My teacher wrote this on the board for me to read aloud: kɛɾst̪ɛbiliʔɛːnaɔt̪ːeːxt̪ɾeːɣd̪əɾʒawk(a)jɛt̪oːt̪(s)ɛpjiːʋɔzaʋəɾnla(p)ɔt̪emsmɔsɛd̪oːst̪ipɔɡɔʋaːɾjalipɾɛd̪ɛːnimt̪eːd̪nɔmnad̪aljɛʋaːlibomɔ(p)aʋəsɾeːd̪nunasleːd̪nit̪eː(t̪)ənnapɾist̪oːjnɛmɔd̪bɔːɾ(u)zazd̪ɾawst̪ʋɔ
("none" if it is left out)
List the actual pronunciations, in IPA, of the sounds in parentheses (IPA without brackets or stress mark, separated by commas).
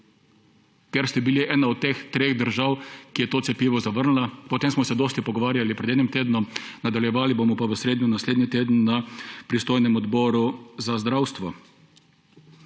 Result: i, s, p, p, d̪, u